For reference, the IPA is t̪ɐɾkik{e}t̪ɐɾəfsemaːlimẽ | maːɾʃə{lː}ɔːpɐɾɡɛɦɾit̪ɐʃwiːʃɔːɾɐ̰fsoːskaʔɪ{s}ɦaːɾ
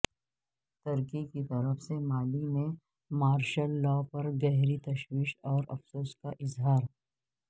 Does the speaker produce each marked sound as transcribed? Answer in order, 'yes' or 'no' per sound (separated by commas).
no, yes, no